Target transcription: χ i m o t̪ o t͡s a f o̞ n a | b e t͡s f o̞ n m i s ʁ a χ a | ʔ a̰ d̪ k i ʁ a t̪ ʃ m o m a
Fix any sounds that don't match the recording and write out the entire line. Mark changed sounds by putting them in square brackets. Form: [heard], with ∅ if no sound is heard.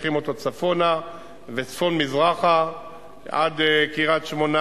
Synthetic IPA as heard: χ i m o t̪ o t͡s a f o̞ n a | [v] e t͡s f o̞ n m i [z] ʁ a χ a | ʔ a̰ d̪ k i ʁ a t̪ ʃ m o [n] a